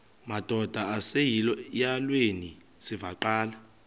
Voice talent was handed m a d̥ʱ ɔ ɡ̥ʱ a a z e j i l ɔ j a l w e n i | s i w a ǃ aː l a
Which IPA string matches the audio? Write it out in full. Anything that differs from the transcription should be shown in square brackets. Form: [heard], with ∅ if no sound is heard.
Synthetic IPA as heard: m a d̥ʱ ɔ [d̥ʱ] a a [s] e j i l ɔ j a l w e n i | s i [v] a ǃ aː l a